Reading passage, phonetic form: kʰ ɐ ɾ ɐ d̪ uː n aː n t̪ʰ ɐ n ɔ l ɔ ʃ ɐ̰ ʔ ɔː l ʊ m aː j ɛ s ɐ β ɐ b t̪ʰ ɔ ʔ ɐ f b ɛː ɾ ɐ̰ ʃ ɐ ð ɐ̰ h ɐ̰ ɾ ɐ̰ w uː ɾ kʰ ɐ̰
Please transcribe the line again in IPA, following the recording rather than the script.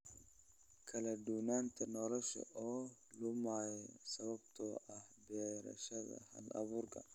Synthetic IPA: kʰ ɐ l ɐ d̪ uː n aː n t̪ʰ ɐ n ɔ l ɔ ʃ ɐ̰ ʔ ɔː l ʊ m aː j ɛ s ɐ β ɐ b t̪ʰ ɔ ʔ ɐ h b ɛː ɾ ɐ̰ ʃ ɐ ð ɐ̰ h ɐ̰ l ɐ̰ β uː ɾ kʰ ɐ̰

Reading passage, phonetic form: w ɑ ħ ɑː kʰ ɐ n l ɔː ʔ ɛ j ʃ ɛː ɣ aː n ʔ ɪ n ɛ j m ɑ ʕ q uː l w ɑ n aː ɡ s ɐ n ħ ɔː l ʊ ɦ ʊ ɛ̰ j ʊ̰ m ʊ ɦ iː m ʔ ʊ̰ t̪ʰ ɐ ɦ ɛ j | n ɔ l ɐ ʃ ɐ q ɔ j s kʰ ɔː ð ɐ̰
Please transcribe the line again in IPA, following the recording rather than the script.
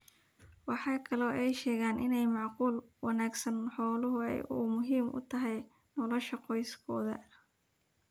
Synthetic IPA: w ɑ ħ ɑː kʰ ɐ l ɔː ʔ ɛ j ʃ ɛː ɣ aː n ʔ ɪ n ɛ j m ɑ ʕ q uː l w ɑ n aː ɡ s ɐ n ħ ɔː l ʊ ɦ ʊ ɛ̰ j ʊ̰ m ʊ ɦ iː m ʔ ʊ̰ t̪ʰ ɐ ɦ ɛ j | n ɔ l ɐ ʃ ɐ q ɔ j s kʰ ɔː ð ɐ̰

